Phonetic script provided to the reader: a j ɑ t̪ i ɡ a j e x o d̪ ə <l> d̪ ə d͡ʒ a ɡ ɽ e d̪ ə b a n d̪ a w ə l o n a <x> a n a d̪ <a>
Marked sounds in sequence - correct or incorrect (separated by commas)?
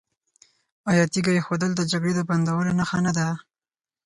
correct, correct, correct